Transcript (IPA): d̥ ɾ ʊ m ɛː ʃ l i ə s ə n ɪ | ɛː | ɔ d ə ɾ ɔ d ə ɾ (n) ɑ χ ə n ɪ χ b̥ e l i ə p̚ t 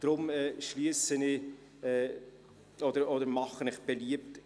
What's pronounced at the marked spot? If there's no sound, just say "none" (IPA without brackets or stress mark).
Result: m